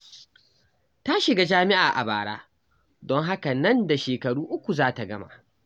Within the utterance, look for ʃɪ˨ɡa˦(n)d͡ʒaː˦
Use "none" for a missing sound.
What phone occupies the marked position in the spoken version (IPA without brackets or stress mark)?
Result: none